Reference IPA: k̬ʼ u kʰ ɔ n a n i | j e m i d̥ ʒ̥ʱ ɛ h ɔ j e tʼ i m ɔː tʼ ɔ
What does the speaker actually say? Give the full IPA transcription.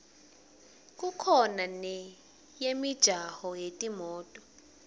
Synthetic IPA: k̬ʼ u kʰ ɔ n a n ɛ | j e m i d̥ ʒ̥ʱ a h ɔ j e tʼ i m ɔː tʼ ɔ